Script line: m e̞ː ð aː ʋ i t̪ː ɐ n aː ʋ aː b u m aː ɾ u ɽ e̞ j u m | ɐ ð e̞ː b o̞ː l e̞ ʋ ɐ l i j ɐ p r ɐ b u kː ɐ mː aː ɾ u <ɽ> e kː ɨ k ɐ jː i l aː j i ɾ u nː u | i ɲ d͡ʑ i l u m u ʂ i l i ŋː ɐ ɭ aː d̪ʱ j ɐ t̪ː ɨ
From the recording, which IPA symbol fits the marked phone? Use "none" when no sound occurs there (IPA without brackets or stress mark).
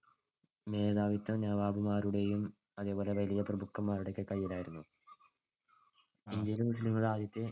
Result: ɽ